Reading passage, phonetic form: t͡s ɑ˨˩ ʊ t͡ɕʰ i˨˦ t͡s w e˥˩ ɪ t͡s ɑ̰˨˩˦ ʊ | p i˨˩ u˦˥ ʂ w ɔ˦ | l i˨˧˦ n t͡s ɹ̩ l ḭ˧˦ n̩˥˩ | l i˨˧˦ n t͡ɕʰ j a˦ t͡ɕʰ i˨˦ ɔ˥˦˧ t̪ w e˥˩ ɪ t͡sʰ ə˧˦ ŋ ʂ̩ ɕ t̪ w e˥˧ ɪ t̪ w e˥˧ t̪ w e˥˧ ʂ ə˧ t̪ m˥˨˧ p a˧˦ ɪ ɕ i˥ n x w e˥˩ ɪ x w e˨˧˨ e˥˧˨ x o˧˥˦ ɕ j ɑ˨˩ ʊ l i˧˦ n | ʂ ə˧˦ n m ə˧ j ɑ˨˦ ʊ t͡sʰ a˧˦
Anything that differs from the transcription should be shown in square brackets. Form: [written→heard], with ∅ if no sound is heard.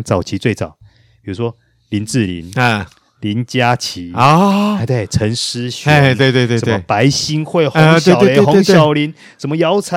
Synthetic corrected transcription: t͡s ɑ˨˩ ʊ t͡ɕʰ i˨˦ t͡s w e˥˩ ɪ t͡s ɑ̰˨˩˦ ʊ | p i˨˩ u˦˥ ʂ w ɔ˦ | l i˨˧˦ n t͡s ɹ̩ l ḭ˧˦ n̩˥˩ | l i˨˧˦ n [t͡ɕʰ→t͡ɕ] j a˦ t͡ɕʰ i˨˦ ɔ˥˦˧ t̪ w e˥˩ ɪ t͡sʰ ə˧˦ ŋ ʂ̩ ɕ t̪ w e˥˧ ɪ t̪ w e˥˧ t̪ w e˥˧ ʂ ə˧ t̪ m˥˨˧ p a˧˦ ɪ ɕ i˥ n x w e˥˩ ɪ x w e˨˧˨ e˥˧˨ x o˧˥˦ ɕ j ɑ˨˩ ʊ l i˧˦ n | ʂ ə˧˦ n m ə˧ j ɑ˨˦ ʊ t͡sʰ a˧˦